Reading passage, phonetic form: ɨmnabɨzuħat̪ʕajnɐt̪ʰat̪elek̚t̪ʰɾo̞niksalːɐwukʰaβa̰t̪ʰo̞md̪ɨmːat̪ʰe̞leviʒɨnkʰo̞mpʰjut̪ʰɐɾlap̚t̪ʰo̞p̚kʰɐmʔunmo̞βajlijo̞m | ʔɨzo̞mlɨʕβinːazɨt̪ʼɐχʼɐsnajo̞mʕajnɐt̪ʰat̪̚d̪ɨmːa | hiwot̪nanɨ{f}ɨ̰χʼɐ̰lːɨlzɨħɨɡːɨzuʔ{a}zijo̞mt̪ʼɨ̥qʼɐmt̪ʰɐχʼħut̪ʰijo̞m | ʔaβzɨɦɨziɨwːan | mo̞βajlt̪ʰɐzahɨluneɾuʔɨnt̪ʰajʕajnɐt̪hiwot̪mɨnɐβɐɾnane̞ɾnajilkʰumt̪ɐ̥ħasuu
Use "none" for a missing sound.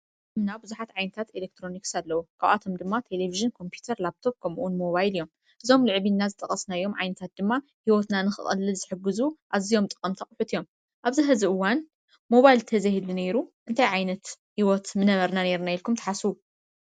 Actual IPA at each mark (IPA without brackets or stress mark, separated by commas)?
x, a